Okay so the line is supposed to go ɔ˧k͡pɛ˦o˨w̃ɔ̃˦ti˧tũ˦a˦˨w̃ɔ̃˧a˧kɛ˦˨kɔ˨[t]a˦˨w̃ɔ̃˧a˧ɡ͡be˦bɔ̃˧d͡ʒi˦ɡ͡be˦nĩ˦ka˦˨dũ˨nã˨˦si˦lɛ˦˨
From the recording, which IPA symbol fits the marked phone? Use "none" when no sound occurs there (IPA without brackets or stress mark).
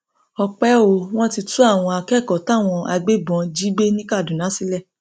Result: t